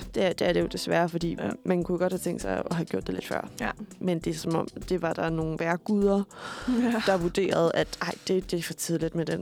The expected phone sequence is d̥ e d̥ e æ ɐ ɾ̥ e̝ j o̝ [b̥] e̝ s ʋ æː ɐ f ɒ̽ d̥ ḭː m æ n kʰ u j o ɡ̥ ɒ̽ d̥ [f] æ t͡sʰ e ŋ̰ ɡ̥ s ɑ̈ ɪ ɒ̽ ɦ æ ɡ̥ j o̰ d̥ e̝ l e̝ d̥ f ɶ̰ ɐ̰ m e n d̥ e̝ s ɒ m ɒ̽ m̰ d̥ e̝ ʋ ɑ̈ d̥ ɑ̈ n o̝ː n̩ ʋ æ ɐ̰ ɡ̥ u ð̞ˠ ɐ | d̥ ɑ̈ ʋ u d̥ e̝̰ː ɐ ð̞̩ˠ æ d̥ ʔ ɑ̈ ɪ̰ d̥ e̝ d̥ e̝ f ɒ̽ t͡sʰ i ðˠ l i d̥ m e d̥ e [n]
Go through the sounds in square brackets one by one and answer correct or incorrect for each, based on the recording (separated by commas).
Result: incorrect, incorrect, correct